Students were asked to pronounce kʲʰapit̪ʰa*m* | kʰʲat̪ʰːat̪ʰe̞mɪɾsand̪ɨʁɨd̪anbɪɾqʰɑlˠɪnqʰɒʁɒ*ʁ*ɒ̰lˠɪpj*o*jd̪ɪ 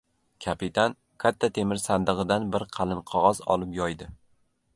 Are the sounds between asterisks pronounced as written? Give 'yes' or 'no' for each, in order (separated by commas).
no, no, no